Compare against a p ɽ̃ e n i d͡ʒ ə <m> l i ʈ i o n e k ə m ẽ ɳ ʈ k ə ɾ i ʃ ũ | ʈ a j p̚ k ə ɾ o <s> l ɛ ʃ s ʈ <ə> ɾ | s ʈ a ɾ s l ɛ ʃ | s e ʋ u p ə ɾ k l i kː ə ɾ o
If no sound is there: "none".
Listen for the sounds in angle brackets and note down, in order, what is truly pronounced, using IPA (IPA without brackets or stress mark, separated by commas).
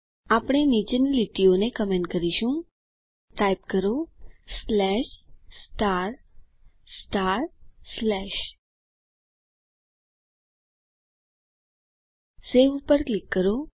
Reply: n, s, a